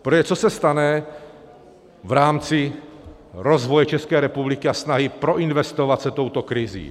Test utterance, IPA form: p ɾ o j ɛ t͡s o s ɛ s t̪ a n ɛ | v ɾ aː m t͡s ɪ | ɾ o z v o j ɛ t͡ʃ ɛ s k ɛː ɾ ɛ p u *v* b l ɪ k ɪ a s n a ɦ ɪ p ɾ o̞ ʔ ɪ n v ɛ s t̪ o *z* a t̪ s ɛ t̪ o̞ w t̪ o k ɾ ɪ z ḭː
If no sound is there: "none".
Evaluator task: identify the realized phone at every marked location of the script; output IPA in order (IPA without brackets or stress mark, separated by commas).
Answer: none, v